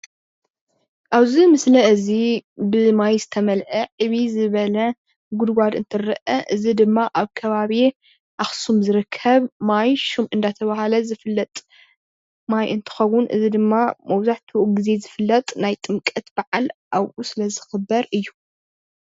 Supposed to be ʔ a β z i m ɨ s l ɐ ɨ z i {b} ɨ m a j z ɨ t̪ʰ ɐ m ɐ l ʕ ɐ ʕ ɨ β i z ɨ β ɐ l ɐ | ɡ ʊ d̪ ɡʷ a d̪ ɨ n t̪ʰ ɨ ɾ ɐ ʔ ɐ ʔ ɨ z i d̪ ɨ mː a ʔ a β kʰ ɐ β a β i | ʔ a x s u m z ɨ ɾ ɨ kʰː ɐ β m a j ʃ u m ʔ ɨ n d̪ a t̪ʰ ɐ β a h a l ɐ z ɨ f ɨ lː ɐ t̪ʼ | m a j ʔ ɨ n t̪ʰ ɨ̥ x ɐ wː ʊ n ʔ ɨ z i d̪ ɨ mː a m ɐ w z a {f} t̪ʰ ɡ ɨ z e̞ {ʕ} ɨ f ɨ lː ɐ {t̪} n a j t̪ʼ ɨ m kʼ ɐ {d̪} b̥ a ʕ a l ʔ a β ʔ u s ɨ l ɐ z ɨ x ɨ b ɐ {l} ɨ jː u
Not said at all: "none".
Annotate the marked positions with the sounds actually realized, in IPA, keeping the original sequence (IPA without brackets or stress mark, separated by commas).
b, ħ, z, t̪ʼ, t̪, ɾ